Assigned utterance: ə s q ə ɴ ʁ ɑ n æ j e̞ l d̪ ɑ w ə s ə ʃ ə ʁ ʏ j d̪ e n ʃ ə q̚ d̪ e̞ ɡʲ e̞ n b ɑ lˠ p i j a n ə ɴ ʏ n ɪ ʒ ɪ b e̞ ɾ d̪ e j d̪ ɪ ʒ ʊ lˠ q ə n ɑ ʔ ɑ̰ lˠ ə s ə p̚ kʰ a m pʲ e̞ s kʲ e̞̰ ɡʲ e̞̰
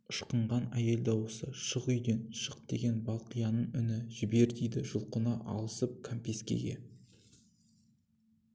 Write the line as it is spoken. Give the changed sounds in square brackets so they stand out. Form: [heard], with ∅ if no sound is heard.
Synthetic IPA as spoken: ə [ʃ] q ə ɴ ʁ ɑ n æ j e̞ l d̪ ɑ w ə s ə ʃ ə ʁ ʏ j d̪ e n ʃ ə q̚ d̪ e̞ ɡʲ e̞ n b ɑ lˠ [q] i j [ɑ] n ə ɴ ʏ n ɪ ʒ ɪ b e̞ ɾ d̪ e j d̪ ɪ ʒ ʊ lˠ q ə n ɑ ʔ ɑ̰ lˠ ə s ə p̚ kʰ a m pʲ e̞ s kʲ e̞̰ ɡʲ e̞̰

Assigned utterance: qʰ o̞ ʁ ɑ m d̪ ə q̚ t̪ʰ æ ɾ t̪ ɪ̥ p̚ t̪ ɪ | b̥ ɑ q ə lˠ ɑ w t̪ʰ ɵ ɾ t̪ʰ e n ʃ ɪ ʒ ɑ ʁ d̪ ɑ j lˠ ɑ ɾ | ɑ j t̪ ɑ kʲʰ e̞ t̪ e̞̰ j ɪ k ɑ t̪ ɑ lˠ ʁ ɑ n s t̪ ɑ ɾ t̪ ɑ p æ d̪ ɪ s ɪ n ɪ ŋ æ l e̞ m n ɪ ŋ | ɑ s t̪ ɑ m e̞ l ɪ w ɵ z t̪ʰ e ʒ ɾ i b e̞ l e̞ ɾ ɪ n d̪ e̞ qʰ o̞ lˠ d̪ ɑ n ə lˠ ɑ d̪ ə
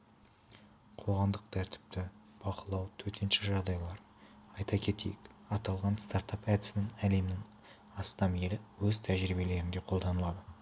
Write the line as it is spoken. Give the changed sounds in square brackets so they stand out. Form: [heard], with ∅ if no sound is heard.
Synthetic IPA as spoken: qʰ o̞ ʁ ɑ m d̪ ə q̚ t̪ʰ æ ɾ t̪ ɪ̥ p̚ t̪ ɪ | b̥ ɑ q ə lˠ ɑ w t̪ʰ ɵ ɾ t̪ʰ e n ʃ ɪ ʒ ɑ ʁ d̪ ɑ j lˠ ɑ ɾ | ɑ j t̪ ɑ kʲʰ e̞ t̪ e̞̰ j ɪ k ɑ t̪ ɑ lˠ ʁ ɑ n s t̪ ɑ ɾ t̪ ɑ p æ d̪ ɪ s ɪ n ɪ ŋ æ l e̞ m n ɪ ŋ | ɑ s t̪ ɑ m e̞ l ɪ w ɵ z t̪ʰ [æ] ʒ ɾ i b e̞ l e̞ ɾ ɪ n d̪ e̞ qʰ o̞ lˠ d̪ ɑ n ə lˠ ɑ d̪ ə

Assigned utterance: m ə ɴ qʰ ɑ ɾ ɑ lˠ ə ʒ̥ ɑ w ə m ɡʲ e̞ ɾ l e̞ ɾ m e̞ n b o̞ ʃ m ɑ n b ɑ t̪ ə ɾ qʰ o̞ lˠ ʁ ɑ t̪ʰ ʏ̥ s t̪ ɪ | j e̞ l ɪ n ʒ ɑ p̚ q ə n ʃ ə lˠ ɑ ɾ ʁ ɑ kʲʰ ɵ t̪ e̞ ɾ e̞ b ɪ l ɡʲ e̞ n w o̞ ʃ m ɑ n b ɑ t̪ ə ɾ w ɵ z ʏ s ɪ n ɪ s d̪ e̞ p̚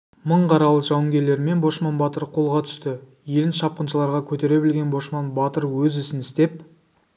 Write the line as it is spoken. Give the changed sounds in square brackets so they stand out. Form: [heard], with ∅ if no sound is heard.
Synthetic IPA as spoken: m ə ɴ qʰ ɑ ɾ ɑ lˠ ə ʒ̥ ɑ w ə [ŋ] ɡʲ e̞ ɾ l e̞ ɾ m e̞ n b o̞ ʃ m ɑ n b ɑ t̪ ə ɾ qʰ o̞ lˠ ʁ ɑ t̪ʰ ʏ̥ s t̪ ɪ | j e̞ l ɪ n [ʃ] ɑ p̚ q ə n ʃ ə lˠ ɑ ɾ ʁ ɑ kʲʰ ɵ t̪ e̞ ɾ e̞ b ɪ l ɡʲ e̞ n [b] o̞ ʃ m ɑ n b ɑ t̪ ə ɾ w ɵ z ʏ s ɪ n ɪ s [t̪] e̞ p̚

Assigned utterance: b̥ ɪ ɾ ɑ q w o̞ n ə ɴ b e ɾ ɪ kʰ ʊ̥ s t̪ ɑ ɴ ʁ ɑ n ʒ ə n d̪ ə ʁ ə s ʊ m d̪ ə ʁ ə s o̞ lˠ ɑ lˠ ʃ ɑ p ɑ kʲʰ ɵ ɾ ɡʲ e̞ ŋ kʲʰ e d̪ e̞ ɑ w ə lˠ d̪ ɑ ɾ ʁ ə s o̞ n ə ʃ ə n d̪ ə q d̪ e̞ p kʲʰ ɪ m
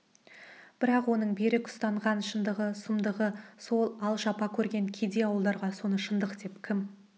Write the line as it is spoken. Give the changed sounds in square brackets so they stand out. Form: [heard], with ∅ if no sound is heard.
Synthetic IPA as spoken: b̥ ɪ ɾ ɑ q w o̞ n ə ɴ b e ɾ ɪ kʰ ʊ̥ s t̪ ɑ ɴ ʁ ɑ n [ʃ] ə n d̪ ə ʁ ə s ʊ m d̪ ə ʁ ə s o̞ lˠ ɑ lˠ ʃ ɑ p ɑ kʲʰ ɵ ɾ ɡʲ e̞ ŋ kʲʰ e d̪ e̞ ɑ w ə lˠ d̪ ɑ ɾ ʁ [ɑ] s o̞ n ə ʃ ə n d̪ ə q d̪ e̞ p kʲʰ ɪ m

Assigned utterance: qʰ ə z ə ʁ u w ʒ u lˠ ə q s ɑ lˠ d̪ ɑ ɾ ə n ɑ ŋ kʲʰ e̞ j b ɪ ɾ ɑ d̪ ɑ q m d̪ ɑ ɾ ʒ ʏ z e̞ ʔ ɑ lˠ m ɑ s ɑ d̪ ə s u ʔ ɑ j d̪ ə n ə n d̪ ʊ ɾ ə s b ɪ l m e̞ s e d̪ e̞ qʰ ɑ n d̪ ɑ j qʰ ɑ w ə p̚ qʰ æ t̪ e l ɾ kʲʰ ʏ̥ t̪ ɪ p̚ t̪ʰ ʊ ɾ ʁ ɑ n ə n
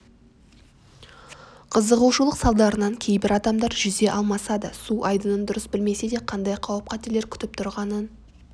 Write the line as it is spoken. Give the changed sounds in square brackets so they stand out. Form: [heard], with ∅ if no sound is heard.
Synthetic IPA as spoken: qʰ ə z ə ʁ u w [ʃ] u lˠ ə q s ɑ lˠ d̪ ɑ ɾ ə n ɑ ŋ kʲʰ e̞ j b ɪ ɾ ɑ d̪ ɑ [∅] m d̪ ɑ ɾ ʒ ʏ z e̞ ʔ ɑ lˠ m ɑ s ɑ d̪ ə s u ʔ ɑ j d̪ ə n ə n d̪ ʊ ɾ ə s b ɪ l m e̞ s e d̪ e̞ qʰ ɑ n d̪ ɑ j qʰ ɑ w ə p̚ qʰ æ t̪ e l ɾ kʲʰ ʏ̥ t̪ ɪ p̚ t̪ʰ ʊ ɾ ʁ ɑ n ə n

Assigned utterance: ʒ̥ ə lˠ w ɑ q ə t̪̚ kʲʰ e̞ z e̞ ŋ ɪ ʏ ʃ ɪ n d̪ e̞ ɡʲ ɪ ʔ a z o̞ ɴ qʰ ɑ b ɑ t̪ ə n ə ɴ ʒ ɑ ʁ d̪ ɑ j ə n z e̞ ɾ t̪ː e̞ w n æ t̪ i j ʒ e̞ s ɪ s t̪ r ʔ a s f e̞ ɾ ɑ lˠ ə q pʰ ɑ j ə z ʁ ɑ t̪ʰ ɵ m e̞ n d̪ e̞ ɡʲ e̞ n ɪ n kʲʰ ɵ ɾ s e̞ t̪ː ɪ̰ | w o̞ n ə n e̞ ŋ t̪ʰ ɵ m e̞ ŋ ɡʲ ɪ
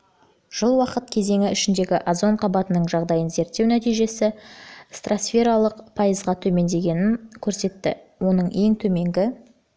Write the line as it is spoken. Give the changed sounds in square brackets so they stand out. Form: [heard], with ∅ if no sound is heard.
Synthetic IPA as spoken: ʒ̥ ə lˠ w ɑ q ə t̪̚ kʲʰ e̞ z e̞ ŋ ɪ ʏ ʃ ɪ n d̪ e̞ ɡʲ ɪ ʔ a z o̞ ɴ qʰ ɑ b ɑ t̪ ə n ə ɴ ʒ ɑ ʁ d̪ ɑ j ə n z e̞ ɾ t̪ː e̞ w n æ t̪ i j ʒ e̞ s ɪ s t̪ r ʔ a s f e̞ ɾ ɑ lˠ ə q pʰ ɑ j ə z ʁ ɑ t̪ʰ ɵ m e̞ n d̪ e̞ ɡʲ e̞ n ɪ n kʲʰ ɵ ɾ s e̞ t̪ː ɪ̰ | w o̞ n ə [ɴ] e̞ ŋ t̪ʰ ɵ m e̞ ŋ ɡʲ ɪ

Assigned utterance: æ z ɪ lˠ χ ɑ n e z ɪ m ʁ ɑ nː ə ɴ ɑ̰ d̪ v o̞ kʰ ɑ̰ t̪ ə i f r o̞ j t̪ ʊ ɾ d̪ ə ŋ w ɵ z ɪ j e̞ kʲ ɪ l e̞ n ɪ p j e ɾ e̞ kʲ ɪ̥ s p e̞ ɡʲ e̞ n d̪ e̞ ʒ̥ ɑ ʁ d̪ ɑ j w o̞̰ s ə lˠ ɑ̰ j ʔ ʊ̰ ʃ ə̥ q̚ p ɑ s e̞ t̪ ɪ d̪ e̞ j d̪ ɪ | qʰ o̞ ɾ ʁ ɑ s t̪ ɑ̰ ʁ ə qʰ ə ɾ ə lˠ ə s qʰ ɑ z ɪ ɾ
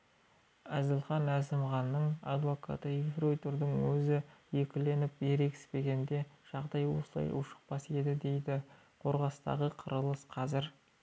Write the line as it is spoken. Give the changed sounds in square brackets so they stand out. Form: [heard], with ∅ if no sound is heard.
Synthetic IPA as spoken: æ z ɪ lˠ χ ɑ n [æ] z ɪ m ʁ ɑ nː ə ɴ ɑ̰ d̪ v o̞ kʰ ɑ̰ t̪ ə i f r o̞ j t̪ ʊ ɾ d̪ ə ŋ w ɵ z ɪ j e̞ kʲ ɪ l e̞ n ɪ p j e ɾ e̞ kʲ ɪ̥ s p e̞ ɡʲ e̞ n d̪ e̞ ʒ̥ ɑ ʁ d̪ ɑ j w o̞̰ s ə lˠ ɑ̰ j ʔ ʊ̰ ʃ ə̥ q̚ p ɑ s e̞ [d̪] ɪ d̪ e̞ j d̪ ɪ | qʰ o̞ ɾ ʁ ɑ s t̪ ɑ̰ ʁ ə qʰ ə ɾ ə lˠ ə s qʰ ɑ z ɪ ɾ

